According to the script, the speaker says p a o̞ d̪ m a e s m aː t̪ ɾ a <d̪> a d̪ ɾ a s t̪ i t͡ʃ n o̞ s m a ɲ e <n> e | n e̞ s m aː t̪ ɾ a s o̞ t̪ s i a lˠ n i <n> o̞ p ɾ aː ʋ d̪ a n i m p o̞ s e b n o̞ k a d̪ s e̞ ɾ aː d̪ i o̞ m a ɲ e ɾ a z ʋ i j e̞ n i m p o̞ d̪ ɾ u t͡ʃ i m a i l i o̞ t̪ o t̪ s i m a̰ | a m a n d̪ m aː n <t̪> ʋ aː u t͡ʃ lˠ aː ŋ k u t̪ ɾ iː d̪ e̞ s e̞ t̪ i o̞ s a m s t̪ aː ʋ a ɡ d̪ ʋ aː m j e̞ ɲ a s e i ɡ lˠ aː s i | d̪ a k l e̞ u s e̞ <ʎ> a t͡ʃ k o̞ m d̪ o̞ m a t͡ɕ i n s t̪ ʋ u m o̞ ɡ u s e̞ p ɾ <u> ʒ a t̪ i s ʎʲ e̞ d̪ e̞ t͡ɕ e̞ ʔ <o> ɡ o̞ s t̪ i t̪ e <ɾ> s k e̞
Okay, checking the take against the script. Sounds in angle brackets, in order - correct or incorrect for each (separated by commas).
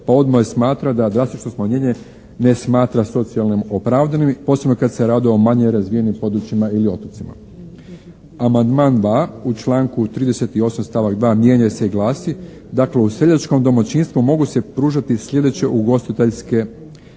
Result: correct, incorrect, incorrect, incorrect, correct, incorrect, incorrect, incorrect